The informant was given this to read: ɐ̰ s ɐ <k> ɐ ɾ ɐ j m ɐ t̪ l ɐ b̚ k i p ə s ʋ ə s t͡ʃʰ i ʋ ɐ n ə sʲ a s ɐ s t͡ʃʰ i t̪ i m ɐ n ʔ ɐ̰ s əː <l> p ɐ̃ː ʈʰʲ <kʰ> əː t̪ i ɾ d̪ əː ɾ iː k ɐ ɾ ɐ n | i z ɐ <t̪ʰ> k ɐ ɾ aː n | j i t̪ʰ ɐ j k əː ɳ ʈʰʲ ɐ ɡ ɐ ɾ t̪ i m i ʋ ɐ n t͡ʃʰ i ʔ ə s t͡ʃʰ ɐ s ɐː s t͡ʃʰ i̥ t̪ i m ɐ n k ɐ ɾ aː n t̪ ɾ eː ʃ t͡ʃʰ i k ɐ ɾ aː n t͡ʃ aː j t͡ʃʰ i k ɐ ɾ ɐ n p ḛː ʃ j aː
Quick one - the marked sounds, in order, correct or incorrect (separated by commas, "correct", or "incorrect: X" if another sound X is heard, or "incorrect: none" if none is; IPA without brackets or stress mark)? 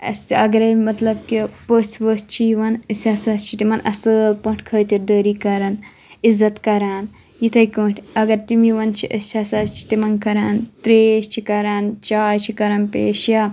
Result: incorrect: ɡ, correct, correct, incorrect: t̪